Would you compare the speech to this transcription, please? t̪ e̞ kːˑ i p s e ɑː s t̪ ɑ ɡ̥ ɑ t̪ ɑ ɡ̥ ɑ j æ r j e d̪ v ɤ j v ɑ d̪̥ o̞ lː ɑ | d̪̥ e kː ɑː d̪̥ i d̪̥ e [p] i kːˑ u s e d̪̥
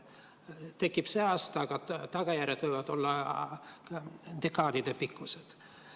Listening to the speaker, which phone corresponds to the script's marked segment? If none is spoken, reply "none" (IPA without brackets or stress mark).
p